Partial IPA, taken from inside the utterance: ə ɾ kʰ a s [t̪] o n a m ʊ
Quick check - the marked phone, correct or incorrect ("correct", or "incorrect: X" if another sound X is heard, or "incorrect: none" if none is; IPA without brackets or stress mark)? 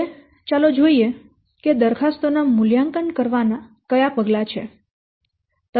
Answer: correct